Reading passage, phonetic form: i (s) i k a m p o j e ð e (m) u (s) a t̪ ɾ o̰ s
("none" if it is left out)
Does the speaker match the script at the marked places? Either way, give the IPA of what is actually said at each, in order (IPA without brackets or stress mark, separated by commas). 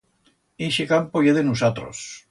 ʃ, n, s